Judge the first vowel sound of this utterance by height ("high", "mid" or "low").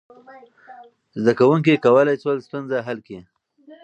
low